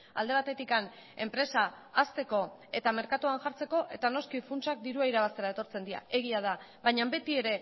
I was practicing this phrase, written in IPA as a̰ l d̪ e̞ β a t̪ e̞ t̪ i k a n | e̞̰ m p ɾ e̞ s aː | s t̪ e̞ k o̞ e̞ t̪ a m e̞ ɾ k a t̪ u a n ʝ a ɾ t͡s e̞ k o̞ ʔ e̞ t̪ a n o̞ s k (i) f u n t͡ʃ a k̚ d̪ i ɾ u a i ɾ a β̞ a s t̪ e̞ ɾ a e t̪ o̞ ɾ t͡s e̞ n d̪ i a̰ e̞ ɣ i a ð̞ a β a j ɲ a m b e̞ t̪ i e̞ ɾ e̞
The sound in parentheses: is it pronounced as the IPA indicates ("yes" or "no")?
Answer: yes